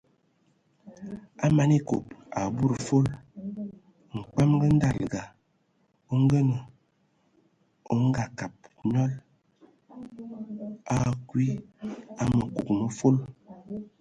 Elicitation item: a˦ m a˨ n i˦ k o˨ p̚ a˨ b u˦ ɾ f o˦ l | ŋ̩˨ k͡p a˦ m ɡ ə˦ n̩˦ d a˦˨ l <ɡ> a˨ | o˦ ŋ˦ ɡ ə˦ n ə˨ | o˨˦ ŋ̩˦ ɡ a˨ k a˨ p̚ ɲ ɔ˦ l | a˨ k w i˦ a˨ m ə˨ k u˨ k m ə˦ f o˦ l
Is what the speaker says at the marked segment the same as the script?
yes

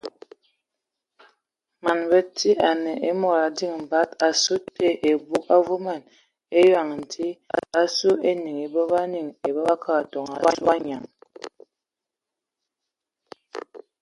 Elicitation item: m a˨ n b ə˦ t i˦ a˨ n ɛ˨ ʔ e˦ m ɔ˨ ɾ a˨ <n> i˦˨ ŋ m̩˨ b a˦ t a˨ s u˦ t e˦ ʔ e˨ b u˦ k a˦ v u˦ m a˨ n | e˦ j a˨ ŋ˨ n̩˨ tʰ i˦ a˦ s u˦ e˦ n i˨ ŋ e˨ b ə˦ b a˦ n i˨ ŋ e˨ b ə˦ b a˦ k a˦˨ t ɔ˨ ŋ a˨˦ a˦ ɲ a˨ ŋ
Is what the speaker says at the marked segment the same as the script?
no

